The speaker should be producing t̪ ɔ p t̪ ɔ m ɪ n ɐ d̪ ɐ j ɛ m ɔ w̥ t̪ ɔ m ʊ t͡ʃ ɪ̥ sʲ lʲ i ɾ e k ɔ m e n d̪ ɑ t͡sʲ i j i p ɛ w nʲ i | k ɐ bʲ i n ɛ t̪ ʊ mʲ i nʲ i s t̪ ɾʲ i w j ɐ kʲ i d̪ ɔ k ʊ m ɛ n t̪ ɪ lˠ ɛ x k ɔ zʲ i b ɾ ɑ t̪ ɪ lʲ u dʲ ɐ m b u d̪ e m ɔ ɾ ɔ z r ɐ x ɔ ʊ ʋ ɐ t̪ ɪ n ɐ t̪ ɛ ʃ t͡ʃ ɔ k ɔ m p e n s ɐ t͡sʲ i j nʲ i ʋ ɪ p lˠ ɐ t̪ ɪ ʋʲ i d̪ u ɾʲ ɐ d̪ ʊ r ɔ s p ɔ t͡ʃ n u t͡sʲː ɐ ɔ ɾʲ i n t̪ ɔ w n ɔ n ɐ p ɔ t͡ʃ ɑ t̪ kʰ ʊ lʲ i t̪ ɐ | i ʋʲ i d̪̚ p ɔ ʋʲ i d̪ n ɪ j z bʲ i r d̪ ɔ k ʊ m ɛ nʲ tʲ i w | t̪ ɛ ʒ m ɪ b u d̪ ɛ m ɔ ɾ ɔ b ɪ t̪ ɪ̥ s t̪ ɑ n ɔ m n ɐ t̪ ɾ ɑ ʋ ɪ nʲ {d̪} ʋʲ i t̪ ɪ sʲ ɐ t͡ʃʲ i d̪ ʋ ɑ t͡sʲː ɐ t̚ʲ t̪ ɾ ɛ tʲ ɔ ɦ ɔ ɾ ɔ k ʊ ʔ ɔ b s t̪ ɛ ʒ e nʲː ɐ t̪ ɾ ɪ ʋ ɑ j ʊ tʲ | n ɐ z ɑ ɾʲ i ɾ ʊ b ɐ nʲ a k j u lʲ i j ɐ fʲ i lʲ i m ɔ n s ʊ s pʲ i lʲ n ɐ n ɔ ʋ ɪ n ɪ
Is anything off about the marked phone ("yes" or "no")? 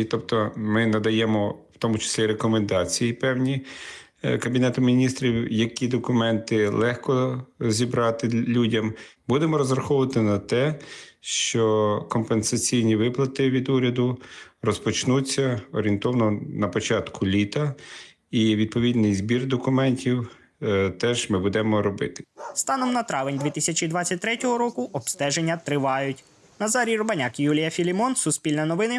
no